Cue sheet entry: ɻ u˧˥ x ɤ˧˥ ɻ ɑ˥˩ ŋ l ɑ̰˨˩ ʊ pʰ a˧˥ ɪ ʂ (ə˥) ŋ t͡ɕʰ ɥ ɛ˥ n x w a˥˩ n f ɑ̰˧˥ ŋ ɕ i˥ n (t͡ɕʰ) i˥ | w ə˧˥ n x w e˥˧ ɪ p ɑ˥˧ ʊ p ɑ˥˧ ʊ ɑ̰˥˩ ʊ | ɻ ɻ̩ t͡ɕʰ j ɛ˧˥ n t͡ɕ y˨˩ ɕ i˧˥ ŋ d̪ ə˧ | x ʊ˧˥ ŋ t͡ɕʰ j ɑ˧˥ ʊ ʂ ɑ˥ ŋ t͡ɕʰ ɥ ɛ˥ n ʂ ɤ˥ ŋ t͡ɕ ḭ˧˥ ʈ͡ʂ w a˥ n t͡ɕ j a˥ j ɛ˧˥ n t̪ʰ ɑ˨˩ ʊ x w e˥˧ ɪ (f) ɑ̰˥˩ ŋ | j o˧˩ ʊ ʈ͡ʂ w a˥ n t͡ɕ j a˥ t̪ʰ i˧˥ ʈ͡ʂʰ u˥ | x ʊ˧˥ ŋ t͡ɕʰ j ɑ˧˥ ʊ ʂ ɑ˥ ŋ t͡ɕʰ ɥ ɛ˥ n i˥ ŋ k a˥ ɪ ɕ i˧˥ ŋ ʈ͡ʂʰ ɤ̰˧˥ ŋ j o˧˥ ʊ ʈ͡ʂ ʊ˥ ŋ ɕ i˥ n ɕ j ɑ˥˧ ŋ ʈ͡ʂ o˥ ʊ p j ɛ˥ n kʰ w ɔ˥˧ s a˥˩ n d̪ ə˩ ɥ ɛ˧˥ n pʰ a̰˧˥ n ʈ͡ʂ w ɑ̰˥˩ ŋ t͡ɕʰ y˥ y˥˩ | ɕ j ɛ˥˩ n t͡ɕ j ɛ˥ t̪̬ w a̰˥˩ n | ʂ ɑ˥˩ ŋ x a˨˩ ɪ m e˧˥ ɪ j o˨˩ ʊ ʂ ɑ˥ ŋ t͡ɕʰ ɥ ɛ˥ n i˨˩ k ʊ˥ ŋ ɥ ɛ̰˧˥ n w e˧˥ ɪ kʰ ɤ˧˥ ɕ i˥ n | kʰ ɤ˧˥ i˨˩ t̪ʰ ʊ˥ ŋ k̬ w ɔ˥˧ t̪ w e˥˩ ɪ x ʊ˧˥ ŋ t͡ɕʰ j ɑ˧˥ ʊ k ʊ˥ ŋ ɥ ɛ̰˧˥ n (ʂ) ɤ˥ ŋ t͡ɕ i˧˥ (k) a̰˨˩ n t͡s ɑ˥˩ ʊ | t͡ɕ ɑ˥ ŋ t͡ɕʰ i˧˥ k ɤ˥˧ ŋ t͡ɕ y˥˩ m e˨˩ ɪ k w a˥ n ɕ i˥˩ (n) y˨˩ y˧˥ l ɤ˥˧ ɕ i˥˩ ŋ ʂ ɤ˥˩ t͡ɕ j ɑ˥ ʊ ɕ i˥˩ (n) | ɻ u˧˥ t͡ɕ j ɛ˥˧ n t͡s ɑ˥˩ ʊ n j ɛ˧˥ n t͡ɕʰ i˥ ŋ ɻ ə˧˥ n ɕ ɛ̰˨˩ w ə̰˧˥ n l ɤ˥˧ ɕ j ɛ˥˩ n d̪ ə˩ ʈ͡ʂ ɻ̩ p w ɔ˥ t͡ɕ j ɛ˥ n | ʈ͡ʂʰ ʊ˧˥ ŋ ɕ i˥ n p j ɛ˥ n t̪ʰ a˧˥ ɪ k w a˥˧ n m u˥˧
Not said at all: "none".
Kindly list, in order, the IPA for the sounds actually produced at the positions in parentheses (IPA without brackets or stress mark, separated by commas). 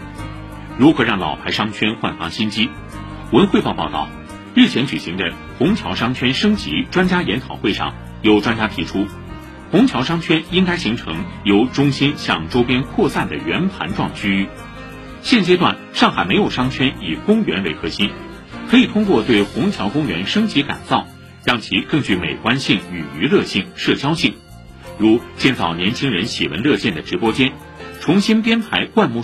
ɑ˥, t͡ɕ, ʂ, ʂ, k, ŋ, ŋ